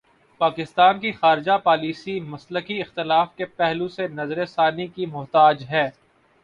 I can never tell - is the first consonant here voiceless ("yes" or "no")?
yes